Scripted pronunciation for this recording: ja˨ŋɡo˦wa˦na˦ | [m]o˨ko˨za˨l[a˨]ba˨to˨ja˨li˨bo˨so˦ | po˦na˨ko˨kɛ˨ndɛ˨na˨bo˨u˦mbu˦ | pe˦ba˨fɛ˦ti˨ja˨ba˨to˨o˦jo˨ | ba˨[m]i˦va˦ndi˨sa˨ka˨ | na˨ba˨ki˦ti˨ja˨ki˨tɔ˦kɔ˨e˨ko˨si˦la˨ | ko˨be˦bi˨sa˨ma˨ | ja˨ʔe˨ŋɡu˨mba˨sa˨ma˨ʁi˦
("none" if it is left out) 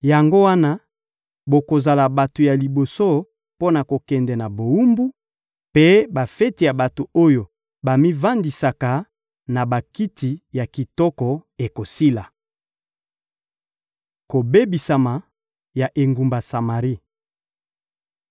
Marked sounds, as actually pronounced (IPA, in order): b, a˨, m

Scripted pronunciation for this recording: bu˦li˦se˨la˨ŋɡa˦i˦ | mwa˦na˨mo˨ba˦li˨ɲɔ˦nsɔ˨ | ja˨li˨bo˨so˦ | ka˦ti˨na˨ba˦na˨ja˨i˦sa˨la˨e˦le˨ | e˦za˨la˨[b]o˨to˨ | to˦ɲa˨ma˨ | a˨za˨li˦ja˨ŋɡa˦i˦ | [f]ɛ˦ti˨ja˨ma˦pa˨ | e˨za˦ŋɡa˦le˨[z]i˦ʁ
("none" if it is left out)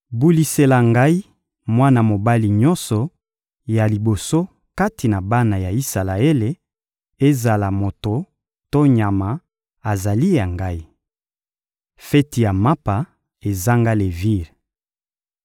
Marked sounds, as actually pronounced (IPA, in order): m, f, v

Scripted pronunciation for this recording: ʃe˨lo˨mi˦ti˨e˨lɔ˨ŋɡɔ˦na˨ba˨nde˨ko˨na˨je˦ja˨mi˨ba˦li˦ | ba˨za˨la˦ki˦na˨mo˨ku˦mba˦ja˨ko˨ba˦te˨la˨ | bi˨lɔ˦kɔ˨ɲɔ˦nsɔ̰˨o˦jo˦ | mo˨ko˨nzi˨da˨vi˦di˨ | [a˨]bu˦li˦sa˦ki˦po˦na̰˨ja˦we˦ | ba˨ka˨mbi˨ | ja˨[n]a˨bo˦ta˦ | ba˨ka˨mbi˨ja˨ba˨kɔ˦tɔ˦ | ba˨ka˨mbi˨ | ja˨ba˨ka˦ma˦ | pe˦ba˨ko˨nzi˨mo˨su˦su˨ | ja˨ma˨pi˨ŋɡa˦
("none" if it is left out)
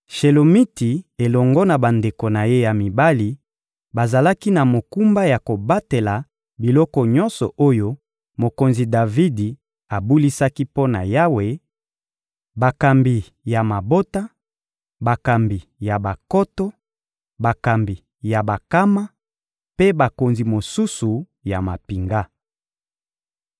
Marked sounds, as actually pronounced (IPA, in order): a˨, m

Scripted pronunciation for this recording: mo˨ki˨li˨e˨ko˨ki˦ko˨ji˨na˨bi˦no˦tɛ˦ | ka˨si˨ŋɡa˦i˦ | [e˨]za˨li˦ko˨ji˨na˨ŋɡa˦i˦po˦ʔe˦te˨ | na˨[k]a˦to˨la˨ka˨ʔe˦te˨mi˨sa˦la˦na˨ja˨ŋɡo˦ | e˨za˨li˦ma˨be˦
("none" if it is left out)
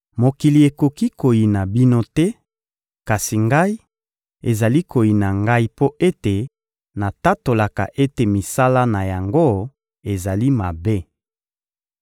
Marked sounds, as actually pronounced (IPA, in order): e˨, t

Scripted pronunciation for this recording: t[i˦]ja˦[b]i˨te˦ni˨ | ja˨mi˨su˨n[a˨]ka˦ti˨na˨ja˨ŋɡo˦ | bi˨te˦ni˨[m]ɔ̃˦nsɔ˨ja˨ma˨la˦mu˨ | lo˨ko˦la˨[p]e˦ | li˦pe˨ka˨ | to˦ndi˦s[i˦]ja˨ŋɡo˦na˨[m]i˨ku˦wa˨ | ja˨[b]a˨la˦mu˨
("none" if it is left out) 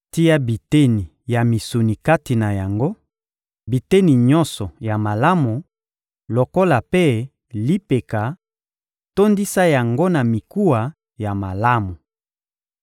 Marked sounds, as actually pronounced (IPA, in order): i˦, b, i˨, ɲ, p, a˦, m, m

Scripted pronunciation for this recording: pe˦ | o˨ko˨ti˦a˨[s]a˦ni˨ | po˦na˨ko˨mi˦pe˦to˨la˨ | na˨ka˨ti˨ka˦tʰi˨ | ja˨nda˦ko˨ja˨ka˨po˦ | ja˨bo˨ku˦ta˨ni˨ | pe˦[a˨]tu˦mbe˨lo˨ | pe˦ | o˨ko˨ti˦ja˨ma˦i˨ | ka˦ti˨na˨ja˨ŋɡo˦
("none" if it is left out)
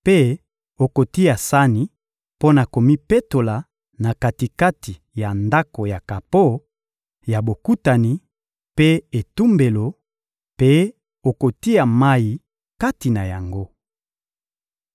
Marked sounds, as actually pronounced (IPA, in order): s, e˨

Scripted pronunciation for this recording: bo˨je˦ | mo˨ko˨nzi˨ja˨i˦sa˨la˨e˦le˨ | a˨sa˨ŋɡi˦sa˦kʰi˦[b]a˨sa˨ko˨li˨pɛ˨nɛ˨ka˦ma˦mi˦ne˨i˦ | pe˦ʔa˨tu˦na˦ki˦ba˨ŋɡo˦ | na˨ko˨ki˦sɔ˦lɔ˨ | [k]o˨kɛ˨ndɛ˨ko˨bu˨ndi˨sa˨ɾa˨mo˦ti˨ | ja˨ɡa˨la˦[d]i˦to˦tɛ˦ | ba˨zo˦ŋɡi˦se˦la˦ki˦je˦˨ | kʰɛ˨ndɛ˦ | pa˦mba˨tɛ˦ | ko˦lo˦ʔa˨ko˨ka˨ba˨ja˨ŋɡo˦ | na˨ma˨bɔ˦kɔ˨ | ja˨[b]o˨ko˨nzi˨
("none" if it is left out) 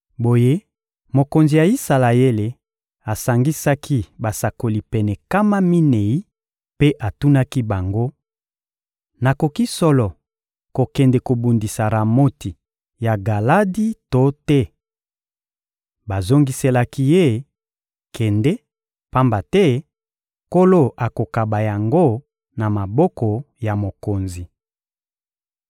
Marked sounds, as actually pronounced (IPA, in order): b, k, d, m

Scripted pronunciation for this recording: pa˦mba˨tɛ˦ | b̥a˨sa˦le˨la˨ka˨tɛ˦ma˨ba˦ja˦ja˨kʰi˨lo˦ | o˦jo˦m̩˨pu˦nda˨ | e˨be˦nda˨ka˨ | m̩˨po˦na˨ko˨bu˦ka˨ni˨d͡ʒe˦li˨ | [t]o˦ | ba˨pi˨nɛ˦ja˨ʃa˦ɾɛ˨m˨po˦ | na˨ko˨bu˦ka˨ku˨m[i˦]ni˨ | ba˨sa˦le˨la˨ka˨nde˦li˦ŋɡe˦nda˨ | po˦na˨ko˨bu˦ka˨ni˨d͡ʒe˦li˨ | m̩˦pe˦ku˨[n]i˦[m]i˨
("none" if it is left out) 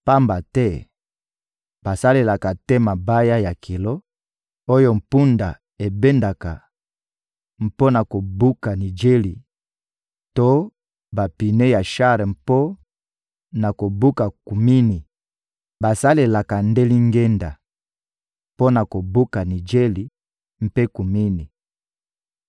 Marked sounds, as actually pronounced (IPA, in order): t, i˦, m, n

